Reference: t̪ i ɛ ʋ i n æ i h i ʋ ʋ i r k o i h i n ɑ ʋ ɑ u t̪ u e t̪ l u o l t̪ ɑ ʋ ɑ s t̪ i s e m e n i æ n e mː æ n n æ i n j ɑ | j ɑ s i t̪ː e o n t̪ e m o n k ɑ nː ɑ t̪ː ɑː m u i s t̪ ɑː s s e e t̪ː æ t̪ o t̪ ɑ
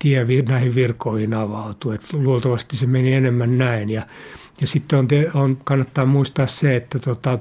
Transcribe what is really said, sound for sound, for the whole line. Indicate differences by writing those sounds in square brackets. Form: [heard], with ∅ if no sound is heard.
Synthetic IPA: t̪ i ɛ ʋ i n æ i h i ʋ ʋ i r k o i h i n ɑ ʋ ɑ u t̪ u e t̪ l u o l t̪ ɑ ʋ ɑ s t̪ i s e m e n i [e] n e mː æ n n æ i n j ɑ | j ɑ s i t̪ː e o n t̪ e [∅] o n k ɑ nː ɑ t̪ː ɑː m u i s t̪ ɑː s s e e t̪ː æ t̪ o t̪ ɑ